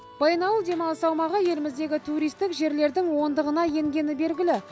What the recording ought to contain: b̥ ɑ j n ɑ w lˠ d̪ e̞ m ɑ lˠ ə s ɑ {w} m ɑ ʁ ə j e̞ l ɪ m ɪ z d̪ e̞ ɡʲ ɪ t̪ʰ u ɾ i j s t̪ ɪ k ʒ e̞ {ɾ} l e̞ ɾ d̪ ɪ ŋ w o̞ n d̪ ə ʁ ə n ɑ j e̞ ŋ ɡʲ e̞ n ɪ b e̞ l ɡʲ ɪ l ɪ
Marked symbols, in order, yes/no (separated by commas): yes, yes